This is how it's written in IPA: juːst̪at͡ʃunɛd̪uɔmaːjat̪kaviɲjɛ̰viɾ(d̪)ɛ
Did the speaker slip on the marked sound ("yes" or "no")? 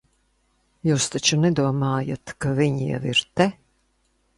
yes